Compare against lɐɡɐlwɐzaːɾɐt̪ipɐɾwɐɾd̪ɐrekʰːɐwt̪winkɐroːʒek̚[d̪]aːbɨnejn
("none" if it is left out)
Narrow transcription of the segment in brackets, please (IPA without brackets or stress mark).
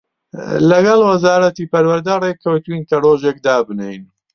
d̪